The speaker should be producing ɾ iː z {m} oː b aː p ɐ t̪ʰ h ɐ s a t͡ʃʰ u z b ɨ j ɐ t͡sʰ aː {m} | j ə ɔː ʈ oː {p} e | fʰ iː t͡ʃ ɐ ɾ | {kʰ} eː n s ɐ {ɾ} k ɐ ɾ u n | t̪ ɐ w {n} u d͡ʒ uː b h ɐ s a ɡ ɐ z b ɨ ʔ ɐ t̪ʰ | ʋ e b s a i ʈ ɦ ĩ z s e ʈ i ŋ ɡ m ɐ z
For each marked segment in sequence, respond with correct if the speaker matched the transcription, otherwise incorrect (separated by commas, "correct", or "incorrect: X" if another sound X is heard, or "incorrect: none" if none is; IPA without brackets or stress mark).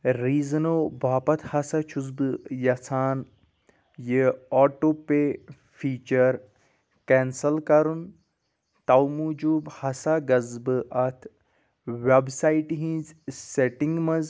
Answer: incorrect: n, incorrect: n, correct, incorrect: k, incorrect: l, incorrect: m